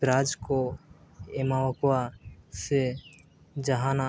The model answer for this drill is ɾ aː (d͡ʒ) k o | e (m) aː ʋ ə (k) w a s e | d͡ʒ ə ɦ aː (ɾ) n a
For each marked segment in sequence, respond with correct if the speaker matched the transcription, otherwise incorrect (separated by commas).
correct, correct, correct, incorrect